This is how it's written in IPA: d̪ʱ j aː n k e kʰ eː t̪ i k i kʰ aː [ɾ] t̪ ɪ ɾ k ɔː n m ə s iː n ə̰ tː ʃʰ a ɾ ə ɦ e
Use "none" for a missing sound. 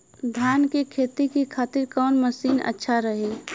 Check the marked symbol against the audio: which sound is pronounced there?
none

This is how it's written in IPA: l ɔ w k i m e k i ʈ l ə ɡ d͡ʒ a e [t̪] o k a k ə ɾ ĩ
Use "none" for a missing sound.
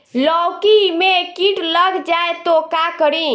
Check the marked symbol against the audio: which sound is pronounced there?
t̪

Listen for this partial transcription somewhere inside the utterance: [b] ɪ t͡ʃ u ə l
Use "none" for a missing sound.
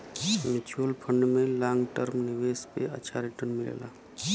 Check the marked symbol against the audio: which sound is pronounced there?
m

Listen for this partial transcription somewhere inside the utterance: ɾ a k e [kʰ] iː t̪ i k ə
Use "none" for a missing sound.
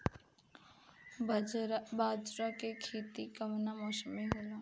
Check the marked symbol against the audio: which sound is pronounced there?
kʰ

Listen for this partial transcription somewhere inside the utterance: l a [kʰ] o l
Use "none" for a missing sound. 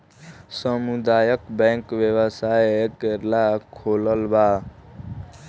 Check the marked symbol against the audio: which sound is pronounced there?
kʰ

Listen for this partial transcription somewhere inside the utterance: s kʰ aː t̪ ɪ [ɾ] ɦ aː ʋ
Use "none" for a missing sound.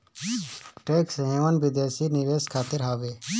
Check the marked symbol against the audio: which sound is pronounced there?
ɾ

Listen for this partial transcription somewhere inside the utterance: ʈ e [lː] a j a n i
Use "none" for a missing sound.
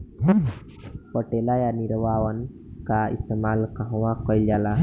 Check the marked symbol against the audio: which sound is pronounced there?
l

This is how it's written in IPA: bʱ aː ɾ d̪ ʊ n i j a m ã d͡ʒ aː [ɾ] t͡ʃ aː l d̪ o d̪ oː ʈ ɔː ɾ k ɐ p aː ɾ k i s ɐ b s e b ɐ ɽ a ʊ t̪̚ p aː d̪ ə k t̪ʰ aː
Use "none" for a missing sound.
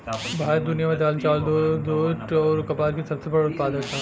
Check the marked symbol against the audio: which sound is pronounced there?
l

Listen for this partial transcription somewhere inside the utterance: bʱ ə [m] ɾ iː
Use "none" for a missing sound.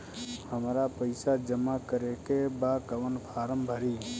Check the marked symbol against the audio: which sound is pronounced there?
none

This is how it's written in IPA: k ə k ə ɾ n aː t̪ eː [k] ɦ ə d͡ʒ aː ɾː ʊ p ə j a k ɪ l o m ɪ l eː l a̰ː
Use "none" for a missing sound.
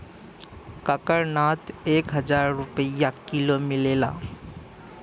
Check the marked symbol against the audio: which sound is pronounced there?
k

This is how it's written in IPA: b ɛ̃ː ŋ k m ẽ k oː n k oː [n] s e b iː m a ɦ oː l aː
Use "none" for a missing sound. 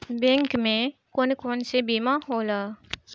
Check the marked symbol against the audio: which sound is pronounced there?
n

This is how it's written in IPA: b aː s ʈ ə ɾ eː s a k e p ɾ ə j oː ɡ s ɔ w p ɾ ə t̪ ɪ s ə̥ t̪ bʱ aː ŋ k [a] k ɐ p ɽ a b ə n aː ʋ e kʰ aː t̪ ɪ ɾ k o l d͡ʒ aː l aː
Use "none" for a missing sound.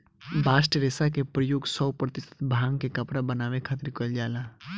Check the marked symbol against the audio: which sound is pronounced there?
e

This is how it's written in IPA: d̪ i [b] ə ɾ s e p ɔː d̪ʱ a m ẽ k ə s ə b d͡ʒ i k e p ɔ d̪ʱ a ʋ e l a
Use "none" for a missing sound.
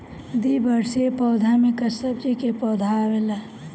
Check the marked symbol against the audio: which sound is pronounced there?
b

